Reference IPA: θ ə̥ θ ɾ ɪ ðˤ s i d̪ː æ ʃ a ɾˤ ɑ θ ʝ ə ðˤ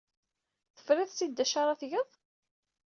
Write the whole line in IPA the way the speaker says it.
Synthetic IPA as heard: θ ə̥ f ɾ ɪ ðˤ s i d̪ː æ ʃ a ɾˤ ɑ θ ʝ ə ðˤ